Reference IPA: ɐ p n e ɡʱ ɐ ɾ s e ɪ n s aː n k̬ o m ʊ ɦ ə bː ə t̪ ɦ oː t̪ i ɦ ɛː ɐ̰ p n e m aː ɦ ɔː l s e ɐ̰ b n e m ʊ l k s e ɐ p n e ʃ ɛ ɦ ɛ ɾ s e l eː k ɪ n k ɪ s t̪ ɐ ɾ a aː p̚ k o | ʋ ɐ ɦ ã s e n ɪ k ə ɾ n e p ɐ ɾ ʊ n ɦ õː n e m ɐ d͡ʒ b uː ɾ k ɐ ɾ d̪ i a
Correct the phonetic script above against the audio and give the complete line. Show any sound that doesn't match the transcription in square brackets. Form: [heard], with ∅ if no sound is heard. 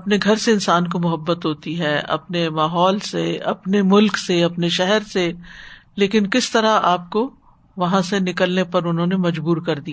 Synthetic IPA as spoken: ɐ p n e ɡʱ ɐ ɾ s e ɪ n s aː n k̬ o m ʊ ɦ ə bː ə t̪ ɦ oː t̪ i ɦ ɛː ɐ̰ p n e m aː ɦ ɔː l s e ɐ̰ [p] n e m ʊ l k s e ɐ p n e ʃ ɛ ɦ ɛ ɾ s e l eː k ɪ n k ɪ s t̪ ɐ ɾ a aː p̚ k o | ʋ ɐ ɦ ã s e n ɪ k ə [l] n e p ɐ ɾ ʊ n ɦ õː n e m ɐ d͡ʒ b uː ɾ k ɐ ɾ d̪ i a